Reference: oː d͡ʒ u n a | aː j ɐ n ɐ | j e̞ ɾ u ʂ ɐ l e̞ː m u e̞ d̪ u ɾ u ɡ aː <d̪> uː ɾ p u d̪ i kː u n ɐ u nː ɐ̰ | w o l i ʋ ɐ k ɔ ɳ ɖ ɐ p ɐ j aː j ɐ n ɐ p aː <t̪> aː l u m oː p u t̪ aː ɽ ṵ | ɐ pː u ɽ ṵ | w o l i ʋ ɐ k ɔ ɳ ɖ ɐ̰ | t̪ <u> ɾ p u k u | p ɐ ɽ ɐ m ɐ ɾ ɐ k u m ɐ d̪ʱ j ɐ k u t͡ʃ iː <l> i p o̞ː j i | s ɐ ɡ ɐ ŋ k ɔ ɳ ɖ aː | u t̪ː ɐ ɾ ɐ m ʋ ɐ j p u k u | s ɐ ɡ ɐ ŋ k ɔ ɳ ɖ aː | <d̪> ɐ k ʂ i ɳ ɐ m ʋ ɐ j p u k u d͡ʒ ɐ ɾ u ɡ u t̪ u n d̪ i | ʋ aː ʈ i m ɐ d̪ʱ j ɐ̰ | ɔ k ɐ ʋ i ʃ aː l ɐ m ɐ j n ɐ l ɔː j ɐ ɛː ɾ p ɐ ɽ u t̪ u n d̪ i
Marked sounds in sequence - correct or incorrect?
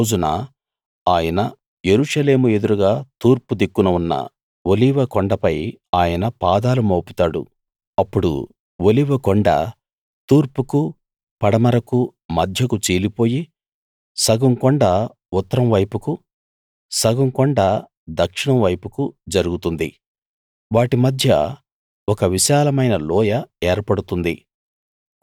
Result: incorrect: t̪, incorrect: d̪, incorrect: uː, correct, correct

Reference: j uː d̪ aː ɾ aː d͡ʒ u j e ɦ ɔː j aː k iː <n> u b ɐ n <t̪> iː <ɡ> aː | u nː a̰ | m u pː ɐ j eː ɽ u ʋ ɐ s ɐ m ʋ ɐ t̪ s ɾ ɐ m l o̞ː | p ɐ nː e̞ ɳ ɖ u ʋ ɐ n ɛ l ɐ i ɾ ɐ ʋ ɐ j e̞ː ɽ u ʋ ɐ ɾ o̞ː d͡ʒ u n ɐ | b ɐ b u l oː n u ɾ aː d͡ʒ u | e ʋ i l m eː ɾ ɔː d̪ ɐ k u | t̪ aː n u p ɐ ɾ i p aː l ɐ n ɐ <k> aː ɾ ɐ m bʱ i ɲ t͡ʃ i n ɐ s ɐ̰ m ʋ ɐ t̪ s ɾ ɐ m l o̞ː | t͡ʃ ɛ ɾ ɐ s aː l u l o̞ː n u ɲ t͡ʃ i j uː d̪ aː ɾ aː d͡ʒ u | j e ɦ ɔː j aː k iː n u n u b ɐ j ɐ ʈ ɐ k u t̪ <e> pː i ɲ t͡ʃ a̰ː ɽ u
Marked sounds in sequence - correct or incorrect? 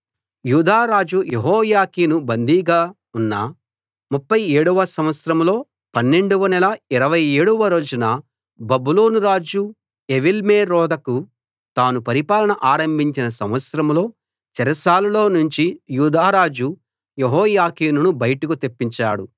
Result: correct, incorrect: d̪, correct, incorrect: ʔ, correct

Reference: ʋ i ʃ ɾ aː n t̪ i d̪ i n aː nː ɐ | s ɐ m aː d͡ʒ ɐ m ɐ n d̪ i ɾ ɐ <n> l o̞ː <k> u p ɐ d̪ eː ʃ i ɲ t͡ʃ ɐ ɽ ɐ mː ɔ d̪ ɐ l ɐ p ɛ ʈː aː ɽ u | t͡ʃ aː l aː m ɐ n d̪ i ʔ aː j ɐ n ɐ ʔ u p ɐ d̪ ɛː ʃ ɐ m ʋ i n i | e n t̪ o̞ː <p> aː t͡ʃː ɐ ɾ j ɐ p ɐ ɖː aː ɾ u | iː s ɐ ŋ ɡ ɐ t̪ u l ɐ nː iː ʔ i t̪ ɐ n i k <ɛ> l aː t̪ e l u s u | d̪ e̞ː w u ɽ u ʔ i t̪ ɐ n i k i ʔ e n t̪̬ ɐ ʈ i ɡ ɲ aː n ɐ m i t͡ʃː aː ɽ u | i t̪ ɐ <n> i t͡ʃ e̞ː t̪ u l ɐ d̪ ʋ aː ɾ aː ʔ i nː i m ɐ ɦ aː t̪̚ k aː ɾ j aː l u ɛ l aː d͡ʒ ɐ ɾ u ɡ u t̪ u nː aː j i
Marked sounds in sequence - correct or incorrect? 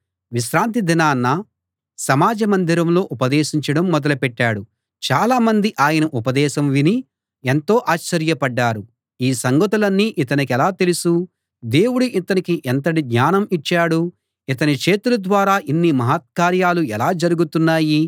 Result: incorrect: m, incorrect: ʔ, incorrect: ʔ, correct, correct

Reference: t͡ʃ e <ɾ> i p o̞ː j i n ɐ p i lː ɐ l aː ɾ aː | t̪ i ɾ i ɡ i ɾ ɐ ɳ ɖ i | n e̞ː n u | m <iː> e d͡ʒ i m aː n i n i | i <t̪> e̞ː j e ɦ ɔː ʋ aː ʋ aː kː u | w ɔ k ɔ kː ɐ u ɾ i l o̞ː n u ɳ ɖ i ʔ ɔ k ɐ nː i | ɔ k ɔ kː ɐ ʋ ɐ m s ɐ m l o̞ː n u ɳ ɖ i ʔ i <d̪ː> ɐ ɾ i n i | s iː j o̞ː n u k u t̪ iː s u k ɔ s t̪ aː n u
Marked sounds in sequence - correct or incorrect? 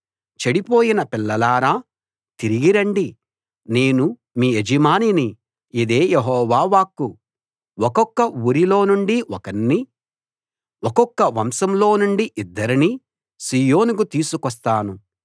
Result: incorrect: ɽ, correct, incorrect: d̪, correct

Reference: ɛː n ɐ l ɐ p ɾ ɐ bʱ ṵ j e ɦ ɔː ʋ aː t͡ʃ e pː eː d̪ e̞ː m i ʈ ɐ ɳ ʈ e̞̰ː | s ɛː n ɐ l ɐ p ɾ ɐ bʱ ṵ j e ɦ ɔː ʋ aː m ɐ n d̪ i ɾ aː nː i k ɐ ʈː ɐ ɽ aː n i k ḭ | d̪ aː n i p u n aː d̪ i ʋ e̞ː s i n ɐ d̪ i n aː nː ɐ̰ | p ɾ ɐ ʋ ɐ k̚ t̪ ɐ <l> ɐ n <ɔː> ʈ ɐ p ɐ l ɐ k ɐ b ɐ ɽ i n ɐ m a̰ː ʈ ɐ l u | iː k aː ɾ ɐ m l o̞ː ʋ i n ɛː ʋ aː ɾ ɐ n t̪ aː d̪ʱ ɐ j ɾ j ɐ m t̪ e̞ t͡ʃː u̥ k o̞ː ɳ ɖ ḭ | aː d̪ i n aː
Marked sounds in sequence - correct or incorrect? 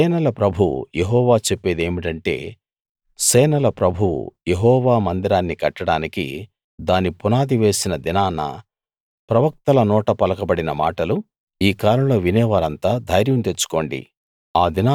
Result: correct, correct

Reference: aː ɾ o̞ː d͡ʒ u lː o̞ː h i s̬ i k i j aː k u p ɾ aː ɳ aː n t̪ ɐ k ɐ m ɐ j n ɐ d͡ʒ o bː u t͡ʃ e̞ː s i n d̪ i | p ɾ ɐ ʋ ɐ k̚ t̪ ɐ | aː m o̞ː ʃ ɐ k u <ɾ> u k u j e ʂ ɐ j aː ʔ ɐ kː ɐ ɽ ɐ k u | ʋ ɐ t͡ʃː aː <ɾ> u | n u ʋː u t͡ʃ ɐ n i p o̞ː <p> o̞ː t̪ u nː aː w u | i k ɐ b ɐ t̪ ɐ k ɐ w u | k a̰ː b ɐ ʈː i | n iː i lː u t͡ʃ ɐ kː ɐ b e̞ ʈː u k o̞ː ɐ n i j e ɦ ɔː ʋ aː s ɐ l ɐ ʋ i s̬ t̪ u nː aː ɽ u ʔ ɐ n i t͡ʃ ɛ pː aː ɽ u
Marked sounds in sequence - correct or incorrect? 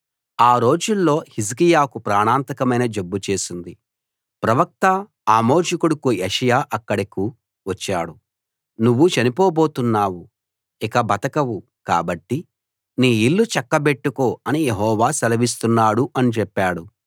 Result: incorrect: ɽ, incorrect: ɽ, incorrect: b

